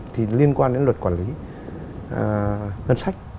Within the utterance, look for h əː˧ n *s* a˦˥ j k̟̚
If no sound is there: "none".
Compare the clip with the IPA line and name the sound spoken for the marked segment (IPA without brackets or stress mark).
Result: s